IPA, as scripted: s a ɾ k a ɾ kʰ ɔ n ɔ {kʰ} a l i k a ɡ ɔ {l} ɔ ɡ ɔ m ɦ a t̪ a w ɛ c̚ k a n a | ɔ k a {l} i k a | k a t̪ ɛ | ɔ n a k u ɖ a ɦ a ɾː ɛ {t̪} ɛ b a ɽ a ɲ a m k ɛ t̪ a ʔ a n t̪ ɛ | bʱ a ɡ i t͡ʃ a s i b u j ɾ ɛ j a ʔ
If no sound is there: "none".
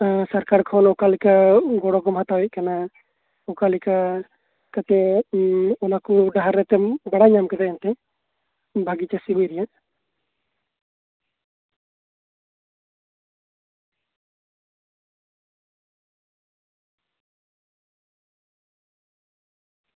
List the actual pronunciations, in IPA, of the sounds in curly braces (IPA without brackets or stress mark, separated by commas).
k, ɽ, l, t̪